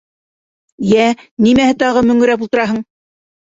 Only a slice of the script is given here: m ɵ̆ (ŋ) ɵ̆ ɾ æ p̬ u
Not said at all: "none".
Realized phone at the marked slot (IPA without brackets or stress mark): ŋ